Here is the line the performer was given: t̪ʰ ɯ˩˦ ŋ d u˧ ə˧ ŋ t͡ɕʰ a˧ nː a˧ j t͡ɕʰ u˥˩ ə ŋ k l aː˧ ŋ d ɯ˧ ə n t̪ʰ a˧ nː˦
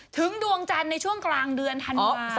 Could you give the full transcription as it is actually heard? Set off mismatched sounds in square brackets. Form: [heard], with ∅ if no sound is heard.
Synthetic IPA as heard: t̪ʰ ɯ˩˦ ŋ d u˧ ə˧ ŋ [t͡ɕ] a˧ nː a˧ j t͡ɕʰ u˥˩ ə ŋ k l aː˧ ŋ d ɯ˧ ə n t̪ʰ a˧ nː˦